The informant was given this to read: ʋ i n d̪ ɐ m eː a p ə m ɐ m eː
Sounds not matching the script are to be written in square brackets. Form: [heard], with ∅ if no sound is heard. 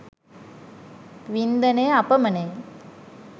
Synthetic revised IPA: ʋ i n d̪ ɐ [n] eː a p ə m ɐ [n] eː